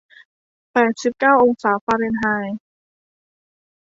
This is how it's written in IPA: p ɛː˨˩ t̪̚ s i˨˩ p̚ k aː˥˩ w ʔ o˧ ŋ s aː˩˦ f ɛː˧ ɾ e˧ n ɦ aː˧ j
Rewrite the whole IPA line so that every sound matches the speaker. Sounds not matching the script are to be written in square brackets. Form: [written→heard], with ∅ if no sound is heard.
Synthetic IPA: p ɛː˨˩ t̪̚ s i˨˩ p̚ k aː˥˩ w ʔ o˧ ŋ s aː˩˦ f [ɛː˧→aː˧] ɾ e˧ n ɦ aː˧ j